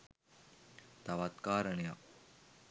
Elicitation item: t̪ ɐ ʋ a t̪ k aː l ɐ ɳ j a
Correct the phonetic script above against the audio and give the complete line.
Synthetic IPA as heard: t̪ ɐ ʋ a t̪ k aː ɾ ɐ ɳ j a

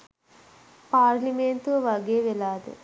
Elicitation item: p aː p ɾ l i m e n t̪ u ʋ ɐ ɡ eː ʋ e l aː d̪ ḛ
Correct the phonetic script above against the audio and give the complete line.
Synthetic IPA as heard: p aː ɾ l i m e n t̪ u ʋ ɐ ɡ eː ʋ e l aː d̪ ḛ

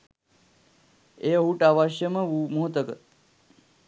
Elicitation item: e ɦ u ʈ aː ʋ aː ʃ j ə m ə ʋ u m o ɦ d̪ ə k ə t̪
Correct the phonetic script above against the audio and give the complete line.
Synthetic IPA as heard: e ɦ u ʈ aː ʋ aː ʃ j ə m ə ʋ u m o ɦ t̪ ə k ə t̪

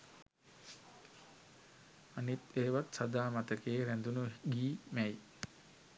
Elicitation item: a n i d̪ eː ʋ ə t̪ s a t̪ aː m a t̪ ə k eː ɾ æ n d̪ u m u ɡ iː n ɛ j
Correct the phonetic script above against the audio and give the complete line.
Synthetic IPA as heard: a n i t̪ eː ʋ a t̪ s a d̪ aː m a t̪ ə k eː ɾ æ n d̪ u n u ɡ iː m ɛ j

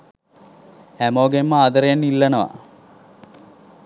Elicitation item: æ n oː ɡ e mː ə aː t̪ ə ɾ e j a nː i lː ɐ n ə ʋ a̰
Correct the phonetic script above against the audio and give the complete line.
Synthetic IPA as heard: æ m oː ɡ e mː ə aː d̪ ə ɾ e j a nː i lː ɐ n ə ʋ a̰

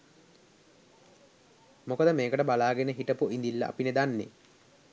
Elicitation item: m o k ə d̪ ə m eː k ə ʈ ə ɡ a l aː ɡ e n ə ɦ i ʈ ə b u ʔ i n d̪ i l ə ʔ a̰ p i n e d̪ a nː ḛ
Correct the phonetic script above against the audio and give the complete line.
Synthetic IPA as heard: m o k ə d̪ ə m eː k ə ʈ ə b a l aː ɡ e n ə ɦ i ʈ ə p u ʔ i n d̪ i lː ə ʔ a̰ p i n e d̪ a nː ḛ

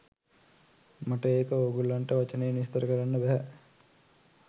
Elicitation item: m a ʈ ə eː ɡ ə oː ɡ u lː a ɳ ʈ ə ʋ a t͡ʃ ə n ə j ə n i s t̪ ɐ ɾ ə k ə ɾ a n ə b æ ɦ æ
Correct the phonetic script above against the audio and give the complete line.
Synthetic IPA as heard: m a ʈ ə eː k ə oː ɡ u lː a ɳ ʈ ə ʋ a t͡ʃ ə n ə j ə n i s t̪ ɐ ɾ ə k ə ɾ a nː ə b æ ɦ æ

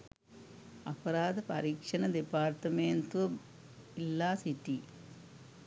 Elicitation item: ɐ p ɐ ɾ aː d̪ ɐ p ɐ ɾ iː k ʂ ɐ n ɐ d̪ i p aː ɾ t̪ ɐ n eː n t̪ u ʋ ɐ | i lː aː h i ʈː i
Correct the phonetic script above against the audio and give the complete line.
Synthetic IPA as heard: ɐ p ɐ ɾ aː d̪ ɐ p ɐ ɾ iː k ʂ ɐ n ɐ d̪ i p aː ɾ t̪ ɐ m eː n t̪ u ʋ ɐ | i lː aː s i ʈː i

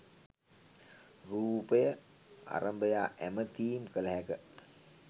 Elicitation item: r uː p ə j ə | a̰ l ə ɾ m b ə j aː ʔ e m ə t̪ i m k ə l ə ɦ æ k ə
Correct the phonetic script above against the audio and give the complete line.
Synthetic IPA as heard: r uː p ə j ə | a̰ ɾ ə m b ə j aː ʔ æ m ə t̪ iː m k ə l ə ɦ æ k ə

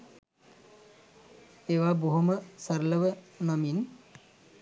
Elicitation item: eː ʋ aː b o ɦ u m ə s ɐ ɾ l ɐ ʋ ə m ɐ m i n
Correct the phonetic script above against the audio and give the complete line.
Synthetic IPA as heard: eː ʋ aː b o ɦ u m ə s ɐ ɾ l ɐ ʋ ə n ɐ m i n

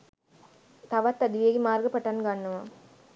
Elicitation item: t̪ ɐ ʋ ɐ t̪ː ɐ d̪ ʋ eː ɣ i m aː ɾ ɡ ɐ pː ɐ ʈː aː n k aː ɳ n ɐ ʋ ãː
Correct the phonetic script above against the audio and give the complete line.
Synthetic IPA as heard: t̪ ɐ ʋ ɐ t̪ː ɐ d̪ ʋ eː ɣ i m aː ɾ ɡ ɐ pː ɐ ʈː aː n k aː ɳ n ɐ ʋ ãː

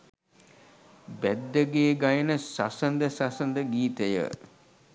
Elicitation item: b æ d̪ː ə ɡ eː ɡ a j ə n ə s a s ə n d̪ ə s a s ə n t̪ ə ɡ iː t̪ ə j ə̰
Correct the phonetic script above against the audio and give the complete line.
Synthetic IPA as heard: b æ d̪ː ə ɡ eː ɡ a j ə n ə s a s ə n d̪ ə s a s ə n d̪ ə ɡ iː t̪ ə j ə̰

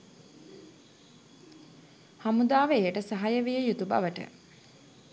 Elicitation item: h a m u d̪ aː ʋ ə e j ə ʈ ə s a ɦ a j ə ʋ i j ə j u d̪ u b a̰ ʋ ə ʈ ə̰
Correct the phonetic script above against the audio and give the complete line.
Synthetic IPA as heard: h a m u d̪ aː ʋ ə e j ə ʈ ə s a ɦ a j ə ʋ i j ə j u t̪ u b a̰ ʋ ə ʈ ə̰

